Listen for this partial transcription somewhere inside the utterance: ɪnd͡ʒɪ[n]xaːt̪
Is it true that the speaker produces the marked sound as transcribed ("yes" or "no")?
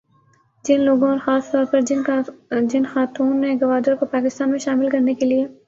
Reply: yes